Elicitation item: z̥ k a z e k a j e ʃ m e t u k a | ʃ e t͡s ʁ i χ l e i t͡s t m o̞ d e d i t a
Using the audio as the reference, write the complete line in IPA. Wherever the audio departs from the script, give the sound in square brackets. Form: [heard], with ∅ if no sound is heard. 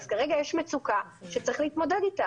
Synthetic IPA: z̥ k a [ʁ] e [ɡ] a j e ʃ m e [t͡s] u k a | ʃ e t͡s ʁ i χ l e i [∅] t m o̞ d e d i t a

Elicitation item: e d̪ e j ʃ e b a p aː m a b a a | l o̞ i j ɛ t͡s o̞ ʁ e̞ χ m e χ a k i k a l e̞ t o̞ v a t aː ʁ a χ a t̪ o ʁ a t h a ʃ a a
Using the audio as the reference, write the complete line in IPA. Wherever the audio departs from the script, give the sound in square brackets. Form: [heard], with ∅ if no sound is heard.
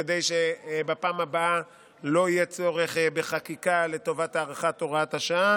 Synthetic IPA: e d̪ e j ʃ e b a p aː m a b a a | l o̞ i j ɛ t͡s o̞ ʁ e̞ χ [b] e χ a k i k a l e̞ t o̞ v a t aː ʁ a χ a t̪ o ʁ a t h a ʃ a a

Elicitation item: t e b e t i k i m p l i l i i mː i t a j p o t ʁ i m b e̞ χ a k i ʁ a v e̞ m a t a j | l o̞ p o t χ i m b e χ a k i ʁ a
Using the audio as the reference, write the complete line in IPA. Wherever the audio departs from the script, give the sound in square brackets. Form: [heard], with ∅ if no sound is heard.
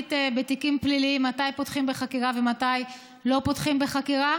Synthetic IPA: t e b e t i k i m p l i l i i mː [a] t a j p o t [χ] i m b e̞ χ a k i ʁ a v e̞ m a t a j | l o̞ p o t χ i m b e χ a k i ʁ a

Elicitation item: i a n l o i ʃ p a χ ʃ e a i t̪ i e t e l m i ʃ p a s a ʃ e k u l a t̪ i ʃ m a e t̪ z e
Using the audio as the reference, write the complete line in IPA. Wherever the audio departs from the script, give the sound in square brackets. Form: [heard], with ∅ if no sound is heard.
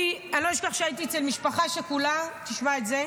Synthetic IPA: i a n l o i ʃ [k] a χ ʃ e a i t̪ i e [t͡s] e l m i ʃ p a [χ] a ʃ e k u l a t̪ i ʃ m a e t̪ z e

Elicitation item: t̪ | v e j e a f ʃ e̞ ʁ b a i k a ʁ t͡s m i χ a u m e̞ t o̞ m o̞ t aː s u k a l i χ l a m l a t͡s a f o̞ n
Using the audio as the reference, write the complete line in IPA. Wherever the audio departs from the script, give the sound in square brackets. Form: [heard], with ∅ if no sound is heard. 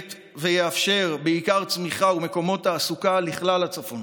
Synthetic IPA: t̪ | v e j e a f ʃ e̞ ʁ b [e] i k a ʁ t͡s m i χ a u m e̞ [k] o̞ m o̞ t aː s u k a l i χ l a [∅] l a t͡s a f o̞ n

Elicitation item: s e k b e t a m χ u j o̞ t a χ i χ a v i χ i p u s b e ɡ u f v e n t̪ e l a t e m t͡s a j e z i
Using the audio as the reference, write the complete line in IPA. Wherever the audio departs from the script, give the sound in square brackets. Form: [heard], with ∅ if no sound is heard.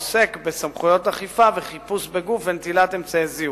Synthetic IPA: s e k b e [s] a m χ u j o̞ t a χ i [f] a v [e] χ i p u s b e ɡ u f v e n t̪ [i] l a t e m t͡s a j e z i

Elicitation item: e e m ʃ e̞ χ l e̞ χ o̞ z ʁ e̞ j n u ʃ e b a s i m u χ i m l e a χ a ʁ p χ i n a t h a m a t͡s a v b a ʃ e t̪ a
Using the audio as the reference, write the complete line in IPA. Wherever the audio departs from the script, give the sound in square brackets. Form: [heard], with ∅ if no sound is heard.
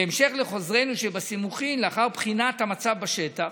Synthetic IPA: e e m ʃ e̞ χ l e̞ χ o̞ z ʁ e̞ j n u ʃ e b a s i m u χ i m l e a χ a ʁ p χ i n a t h a m a t͡s a v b a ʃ e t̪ a

